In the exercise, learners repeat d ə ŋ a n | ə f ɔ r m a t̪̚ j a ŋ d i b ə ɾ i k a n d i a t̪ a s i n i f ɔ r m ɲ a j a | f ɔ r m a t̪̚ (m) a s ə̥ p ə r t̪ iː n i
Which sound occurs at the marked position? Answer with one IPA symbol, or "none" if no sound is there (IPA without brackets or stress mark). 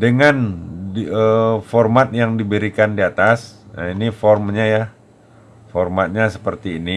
ɲ